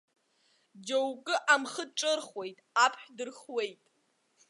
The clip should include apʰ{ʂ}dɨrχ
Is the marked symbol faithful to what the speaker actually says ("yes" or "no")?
no